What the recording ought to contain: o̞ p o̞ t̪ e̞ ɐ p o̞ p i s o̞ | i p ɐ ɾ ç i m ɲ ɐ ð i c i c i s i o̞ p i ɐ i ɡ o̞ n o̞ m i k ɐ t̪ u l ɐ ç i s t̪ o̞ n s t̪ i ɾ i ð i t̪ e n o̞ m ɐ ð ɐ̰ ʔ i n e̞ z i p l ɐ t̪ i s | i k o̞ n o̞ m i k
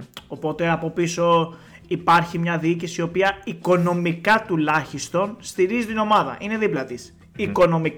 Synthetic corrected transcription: o̞ p o̞ t̪ e̞ ɐ p o̞ p i s o̞ | i p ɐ ɾ ç i m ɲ ɐ ð i i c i s i o̞ p i ɐ i k o̞ n o̞ m i k ɐ t̪ u l ɐ ç i s t̪ o̞ n s t̪ i ɾ i z i t̪ i n o̞ m ɐ ð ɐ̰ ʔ i n e̞ ð i p l ɐ t̪ i s | i k o̞ n o̞ m i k